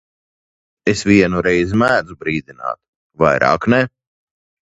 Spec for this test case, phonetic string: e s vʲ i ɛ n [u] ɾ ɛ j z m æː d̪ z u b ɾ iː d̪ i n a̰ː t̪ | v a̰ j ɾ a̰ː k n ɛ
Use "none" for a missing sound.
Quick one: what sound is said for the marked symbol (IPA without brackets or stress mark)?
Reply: u